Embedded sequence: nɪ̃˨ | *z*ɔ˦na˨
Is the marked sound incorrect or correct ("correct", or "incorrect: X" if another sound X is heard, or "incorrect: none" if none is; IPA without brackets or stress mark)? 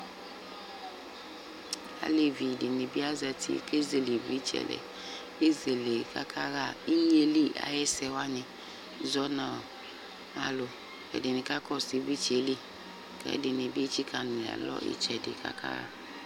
correct